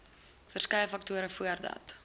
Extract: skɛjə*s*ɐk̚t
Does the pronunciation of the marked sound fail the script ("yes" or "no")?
yes